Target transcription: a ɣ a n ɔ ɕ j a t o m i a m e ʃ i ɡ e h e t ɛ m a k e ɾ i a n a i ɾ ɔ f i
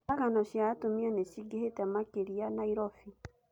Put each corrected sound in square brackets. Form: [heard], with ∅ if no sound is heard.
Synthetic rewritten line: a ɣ a n ɔ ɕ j a t o m i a [n] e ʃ i ɡ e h e t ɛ m a k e ɾ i a n a i ɾ ɔ f i